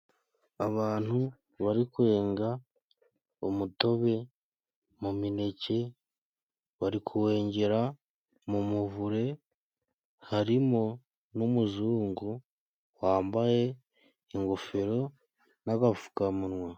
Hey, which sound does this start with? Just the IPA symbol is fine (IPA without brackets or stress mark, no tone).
a